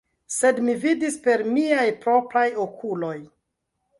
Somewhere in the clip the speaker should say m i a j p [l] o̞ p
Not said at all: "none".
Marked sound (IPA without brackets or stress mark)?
ɾ